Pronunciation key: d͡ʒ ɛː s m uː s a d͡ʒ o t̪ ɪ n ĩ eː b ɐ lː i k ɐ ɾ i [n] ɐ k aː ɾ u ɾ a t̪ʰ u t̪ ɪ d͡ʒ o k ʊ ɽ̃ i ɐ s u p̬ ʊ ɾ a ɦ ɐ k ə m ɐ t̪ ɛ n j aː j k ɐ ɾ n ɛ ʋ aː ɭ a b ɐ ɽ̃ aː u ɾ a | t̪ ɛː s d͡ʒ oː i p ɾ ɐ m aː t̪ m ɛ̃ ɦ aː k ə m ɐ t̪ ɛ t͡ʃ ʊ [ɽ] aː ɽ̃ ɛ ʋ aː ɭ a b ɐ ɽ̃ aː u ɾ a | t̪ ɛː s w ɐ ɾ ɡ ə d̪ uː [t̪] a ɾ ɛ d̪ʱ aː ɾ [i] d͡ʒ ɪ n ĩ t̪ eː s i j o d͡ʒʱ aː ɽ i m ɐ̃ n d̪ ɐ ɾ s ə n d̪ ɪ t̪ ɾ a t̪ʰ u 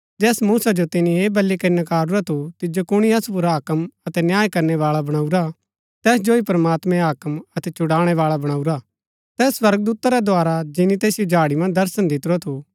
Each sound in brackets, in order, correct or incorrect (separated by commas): correct, correct, correct, incorrect